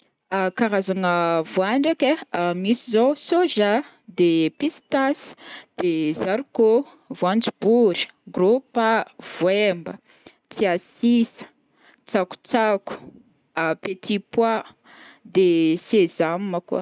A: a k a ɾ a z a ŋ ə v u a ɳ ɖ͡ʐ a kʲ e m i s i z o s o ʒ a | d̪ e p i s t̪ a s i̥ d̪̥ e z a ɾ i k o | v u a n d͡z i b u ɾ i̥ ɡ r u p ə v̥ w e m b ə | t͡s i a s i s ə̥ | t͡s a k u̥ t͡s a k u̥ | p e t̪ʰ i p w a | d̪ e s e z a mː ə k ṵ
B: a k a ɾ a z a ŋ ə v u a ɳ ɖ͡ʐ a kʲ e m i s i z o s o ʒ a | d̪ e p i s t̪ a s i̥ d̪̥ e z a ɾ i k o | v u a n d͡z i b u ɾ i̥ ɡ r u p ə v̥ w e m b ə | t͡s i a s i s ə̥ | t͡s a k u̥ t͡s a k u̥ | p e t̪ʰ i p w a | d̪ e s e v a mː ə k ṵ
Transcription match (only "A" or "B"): A